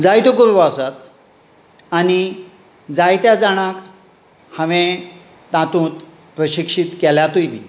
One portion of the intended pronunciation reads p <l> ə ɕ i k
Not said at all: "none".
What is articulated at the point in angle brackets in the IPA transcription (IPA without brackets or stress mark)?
ɾ